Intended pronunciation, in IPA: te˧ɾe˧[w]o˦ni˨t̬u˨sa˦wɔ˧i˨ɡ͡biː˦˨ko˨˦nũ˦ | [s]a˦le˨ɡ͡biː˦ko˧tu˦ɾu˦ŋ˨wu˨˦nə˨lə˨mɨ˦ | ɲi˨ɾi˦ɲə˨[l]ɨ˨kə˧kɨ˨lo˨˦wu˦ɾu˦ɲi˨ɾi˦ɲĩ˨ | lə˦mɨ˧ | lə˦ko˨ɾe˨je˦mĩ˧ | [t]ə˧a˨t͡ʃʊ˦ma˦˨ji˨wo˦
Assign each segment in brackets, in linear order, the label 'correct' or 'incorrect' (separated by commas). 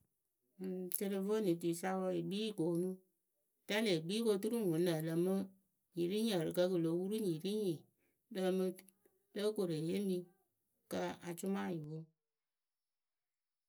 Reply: incorrect, incorrect, incorrect, incorrect